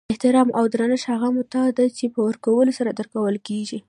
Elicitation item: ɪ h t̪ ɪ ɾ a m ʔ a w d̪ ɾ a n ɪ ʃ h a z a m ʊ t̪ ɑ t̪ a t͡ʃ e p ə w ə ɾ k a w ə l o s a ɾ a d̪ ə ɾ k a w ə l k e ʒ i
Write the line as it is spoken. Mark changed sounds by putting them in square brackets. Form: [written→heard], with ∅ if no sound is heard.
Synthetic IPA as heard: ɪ h t̪ ɪ ɾ [a→ɑ] m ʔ a w d̪ ɾ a n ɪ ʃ h a [z→ɣ] a m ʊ t̪ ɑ [t̪→d̪] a t͡ʃ e p ə w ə ɾ k a w ə l o s a ɾ a d̪ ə ɾ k a w ə l k e ʒ i